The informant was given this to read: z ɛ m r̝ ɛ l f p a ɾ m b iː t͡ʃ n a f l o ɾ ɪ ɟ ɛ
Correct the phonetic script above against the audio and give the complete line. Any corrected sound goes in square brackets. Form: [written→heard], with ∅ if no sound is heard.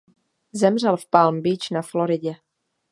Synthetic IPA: z ɛ m r̝ ɛ l f p a [ɾ→l] m b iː t͡ʃ n a f l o ɾ ɪ ɟ ɛ